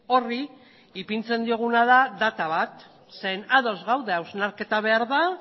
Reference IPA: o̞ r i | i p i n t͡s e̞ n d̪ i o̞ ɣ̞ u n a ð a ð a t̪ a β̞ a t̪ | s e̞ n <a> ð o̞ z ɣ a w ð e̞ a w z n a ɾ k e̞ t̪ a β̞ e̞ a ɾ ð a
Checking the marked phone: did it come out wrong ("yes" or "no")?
no